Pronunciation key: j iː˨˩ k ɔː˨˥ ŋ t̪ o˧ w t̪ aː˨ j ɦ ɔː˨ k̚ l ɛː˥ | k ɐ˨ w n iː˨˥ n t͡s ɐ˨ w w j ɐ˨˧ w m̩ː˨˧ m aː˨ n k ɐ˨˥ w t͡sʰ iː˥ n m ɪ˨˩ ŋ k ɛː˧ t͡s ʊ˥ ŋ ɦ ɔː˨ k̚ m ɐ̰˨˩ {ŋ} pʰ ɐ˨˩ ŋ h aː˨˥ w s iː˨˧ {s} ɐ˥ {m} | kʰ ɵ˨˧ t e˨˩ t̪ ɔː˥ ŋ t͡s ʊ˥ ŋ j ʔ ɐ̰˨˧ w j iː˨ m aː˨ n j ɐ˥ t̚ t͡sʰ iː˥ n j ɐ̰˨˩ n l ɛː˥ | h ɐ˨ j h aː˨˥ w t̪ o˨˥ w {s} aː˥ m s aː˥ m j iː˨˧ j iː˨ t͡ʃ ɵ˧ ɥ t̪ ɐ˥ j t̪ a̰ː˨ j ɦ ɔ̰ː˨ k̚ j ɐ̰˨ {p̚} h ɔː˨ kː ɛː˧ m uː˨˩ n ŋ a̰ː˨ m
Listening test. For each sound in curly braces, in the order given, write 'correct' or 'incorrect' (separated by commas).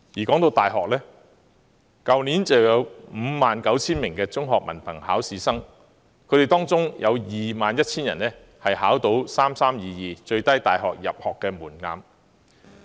incorrect, correct, incorrect, correct, correct